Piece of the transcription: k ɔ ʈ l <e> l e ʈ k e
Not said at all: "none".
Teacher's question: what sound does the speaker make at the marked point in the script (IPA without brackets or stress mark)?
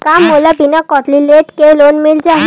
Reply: i